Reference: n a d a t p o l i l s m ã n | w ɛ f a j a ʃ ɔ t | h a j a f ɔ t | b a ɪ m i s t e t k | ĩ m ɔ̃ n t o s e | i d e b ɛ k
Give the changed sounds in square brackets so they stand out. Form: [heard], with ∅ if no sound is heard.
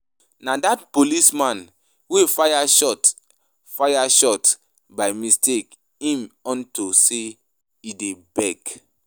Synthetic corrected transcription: n a d a t p o l i [∅] s m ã n | w [e] f a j a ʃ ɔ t | [f] a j a [ʃ] ɔ t | b a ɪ m i s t e [∅] k | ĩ m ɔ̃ n t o s e | i d e b ɛ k